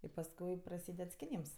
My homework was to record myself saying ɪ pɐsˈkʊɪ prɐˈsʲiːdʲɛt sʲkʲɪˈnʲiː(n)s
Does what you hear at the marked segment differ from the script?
yes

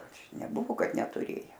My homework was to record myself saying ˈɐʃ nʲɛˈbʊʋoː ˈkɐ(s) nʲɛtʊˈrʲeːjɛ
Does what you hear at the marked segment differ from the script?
yes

